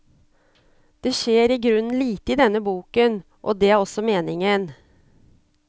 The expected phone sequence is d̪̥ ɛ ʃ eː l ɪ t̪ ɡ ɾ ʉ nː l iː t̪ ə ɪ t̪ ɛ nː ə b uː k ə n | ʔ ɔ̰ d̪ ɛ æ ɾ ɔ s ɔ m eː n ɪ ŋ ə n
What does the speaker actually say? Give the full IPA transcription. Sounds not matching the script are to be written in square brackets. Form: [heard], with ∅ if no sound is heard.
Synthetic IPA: d̪̥ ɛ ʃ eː [ɾ] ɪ [∅] ɡ ɾ ʉ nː l iː t̪ ə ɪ [d̪] ɛ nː ə b uː k ə n | ʔ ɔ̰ d̪ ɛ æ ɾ ɔ s ɔ m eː n ɪ ŋ ə n